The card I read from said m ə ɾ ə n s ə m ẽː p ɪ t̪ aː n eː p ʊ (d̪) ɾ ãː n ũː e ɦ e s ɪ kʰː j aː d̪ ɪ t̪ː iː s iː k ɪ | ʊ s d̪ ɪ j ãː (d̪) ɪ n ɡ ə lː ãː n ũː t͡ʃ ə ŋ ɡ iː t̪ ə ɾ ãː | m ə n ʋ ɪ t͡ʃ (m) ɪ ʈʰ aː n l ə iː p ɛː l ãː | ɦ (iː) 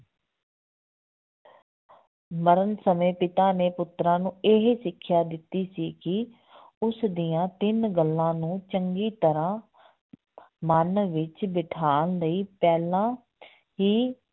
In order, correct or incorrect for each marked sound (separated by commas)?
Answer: incorrect, incorrect, incorrect, correct